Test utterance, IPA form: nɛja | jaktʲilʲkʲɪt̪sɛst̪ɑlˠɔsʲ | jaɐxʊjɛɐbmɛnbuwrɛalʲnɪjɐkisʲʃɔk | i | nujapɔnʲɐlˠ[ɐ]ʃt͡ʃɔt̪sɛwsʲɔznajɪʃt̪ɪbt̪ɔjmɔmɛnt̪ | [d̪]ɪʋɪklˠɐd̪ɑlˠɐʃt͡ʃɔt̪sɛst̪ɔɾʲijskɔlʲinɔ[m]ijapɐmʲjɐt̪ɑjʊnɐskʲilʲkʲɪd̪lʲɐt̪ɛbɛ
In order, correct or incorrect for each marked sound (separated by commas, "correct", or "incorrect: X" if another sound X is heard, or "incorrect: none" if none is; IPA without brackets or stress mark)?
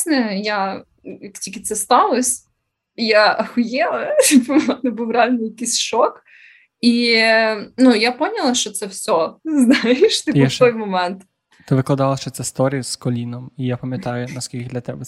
correct, incorrect: t̪, correct